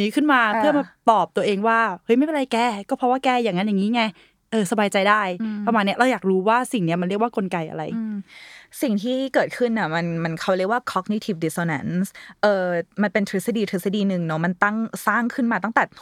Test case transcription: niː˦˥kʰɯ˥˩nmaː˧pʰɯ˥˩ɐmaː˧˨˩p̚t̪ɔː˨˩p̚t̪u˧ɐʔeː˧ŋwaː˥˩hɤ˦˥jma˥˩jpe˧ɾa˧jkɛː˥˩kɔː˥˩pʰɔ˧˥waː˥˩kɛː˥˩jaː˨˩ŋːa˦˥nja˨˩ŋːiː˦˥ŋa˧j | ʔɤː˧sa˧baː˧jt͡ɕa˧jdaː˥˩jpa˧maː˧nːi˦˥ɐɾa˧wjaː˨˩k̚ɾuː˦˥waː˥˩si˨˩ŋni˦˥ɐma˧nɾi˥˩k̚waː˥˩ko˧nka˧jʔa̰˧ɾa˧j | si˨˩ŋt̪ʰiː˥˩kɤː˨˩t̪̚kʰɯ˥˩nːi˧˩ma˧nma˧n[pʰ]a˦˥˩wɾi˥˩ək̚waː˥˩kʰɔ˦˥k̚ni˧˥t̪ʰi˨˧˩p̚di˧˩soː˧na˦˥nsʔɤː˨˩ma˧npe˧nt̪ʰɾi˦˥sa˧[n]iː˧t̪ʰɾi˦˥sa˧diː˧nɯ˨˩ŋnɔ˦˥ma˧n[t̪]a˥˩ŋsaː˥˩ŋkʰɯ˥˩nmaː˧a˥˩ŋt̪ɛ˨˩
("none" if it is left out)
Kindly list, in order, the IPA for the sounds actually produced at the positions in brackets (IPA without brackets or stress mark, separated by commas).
kʰ, d, t̪